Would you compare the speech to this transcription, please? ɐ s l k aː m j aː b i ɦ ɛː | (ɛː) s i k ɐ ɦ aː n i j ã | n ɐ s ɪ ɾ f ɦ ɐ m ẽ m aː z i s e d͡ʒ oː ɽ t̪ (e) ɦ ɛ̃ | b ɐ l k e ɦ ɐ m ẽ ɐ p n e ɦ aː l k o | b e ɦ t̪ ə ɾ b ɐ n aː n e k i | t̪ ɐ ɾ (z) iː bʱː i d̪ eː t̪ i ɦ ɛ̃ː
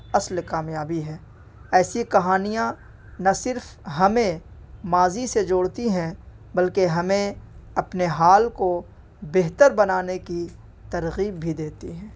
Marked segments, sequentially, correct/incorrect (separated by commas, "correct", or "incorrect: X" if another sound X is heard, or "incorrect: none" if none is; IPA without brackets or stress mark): correct, incorrect: i, incorrect: ɣ